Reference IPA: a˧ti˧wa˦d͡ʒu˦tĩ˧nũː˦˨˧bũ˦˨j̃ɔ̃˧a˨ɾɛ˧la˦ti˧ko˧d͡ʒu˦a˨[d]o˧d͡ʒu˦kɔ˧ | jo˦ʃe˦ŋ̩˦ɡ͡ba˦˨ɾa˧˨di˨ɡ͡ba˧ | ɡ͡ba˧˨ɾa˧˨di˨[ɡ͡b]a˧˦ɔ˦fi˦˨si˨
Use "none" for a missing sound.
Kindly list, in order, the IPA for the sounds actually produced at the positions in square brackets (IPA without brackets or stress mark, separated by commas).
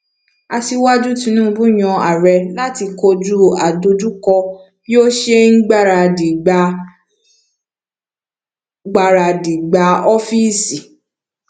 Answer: d, ɡ͡b